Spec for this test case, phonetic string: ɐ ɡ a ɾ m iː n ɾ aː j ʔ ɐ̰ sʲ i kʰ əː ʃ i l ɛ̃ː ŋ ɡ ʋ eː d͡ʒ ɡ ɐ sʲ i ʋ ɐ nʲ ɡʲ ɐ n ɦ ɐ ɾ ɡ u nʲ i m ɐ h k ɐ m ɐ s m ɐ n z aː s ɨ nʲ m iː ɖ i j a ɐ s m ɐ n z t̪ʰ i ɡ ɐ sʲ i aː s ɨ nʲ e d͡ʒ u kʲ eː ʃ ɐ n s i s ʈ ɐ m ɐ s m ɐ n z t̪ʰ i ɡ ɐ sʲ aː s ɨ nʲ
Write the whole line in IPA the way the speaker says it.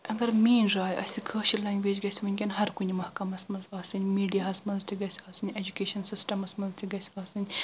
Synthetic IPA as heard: ɐ ɡ ɐ ɾ m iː n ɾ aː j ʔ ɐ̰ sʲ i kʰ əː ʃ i l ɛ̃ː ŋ ɡ ʋ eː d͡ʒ ɡ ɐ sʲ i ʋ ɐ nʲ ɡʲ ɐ n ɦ ɐ ɾ k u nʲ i m ɐ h k ɐ m ɐ s m ɐ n z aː s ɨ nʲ m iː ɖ i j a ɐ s m ɐ n z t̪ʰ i ɡ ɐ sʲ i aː s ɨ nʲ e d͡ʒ u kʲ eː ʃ ɐ n s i s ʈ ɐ m ɐ s m ɐ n z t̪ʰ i ɡ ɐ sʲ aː s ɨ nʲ